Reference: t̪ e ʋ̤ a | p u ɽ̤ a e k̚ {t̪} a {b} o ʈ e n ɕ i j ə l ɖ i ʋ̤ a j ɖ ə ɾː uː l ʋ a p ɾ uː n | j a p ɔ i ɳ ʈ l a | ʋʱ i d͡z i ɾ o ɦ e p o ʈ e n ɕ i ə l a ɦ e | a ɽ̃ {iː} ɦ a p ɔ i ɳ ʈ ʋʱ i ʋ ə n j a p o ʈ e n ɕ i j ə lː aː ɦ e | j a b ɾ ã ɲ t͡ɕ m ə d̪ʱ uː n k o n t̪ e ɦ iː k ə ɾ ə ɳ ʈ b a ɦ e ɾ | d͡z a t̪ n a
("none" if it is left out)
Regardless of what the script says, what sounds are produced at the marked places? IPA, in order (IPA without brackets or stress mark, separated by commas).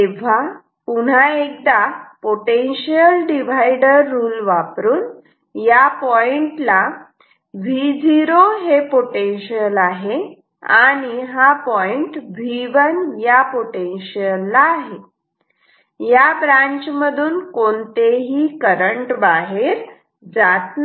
d̪, p, i